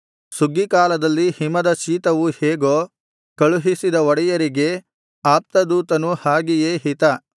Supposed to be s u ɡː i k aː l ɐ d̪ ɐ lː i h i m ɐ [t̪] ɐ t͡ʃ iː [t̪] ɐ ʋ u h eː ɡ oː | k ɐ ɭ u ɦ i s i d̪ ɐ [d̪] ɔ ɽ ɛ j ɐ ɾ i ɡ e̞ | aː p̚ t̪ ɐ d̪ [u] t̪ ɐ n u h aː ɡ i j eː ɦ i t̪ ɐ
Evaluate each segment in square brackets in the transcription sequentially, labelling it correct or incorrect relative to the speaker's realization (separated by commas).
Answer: incorrect, correct, incorrect, incorrect